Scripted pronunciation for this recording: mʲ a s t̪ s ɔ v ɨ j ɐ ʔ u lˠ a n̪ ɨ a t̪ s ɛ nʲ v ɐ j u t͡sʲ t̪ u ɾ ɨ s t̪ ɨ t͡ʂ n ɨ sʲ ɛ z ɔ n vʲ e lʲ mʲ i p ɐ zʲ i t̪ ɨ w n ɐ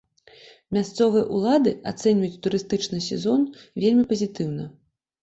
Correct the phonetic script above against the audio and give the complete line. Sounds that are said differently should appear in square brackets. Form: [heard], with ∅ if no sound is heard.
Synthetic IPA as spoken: mʲ a s t̪ s ɔ v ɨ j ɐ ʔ u lˠ a [d̪] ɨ a t̪ s ɛ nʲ v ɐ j u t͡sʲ t̪ u ɾ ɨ s t̪ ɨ t͡ʂ n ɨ sʲ ɛ z ɔ n vʲ e lʲ mʲ i p ɐ zʲ i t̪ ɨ w n ɐ